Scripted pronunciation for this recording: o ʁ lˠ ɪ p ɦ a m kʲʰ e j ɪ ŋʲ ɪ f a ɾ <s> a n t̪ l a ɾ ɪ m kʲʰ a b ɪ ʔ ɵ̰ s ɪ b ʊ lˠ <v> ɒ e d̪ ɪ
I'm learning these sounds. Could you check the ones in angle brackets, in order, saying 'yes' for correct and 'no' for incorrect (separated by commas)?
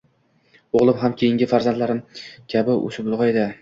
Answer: no, no